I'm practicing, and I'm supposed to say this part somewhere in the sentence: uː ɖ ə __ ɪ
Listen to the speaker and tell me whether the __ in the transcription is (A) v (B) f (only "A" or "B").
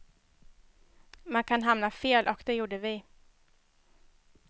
A